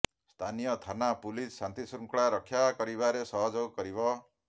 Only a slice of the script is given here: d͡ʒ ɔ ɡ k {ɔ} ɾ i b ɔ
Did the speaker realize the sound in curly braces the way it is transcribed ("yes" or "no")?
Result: yes